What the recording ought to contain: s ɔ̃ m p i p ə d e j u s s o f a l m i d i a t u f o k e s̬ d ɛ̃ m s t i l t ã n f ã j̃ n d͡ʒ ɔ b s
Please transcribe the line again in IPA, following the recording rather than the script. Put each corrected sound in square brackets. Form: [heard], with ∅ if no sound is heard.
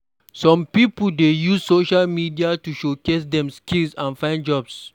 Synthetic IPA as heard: s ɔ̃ m p i p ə d e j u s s o [ʃ] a l m i d i a t u [ʃ] o k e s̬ d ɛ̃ m s [k] i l [s] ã n f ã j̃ n d͡ʒ ɔ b s